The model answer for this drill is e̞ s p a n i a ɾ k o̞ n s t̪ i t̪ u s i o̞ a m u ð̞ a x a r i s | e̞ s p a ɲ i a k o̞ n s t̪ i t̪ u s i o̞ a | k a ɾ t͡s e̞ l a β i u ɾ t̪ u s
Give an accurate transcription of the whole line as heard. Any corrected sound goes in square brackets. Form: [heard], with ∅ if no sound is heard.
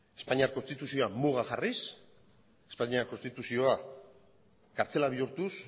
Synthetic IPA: e̞ s p a [ɲ] i a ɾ k o̞ n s t̪ i t̪ u s i o̞ a m u [ɣ̞] a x a r i s | e̞ s p a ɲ i a k o̞ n s t̪ i t̪ u s i o̞ a | k a ɾ t͡s e̞ l a β i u ɾ t̪ u s